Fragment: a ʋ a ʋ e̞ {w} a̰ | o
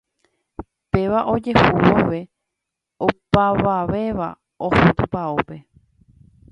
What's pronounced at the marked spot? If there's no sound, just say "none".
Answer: ʋ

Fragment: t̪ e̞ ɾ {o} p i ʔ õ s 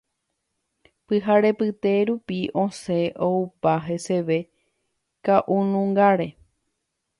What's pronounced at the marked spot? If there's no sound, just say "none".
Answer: u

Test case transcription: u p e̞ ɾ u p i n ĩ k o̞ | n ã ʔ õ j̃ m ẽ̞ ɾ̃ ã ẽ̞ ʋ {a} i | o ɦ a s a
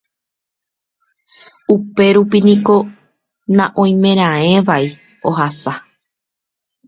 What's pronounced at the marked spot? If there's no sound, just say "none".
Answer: a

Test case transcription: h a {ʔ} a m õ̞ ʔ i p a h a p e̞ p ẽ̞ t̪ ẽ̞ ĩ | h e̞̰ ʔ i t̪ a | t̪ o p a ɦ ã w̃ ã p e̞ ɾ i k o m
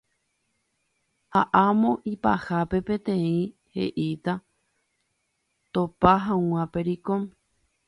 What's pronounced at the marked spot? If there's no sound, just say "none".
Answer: ʔ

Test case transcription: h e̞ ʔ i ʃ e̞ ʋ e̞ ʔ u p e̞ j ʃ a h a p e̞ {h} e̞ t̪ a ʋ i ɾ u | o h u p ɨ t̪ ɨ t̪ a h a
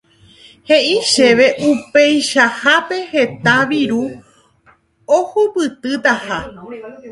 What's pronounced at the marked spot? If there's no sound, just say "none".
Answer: h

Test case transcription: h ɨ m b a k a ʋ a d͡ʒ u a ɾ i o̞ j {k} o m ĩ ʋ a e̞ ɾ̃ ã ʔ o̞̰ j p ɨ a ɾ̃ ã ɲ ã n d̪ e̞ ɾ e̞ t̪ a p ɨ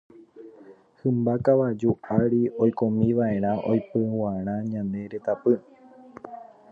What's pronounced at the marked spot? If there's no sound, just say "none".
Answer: k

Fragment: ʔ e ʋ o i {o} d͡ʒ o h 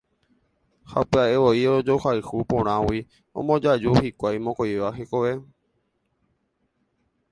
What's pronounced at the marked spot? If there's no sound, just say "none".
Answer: o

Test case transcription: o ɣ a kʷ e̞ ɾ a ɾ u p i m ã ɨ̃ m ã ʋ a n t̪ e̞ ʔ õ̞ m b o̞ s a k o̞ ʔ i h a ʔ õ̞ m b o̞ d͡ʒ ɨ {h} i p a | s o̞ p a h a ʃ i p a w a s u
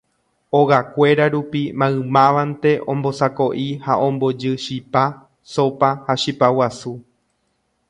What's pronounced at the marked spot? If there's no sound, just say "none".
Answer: ʃ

